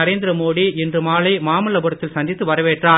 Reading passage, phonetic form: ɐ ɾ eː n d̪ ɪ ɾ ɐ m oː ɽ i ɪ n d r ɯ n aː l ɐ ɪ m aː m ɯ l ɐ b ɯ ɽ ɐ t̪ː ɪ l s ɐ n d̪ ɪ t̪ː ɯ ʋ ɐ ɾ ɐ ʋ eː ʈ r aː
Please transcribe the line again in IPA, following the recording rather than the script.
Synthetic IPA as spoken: ɐ ɾ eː n d̪ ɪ ɾ ɐ m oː ɽ i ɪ n d r ɯ m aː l ɐ ɪ m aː m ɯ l ɐ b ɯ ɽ ɐ t̪ː ɪ l s ɐ n d̪ ɪ t̪ː ɯ ʋ ɐ ɾ ɐ ʋ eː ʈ r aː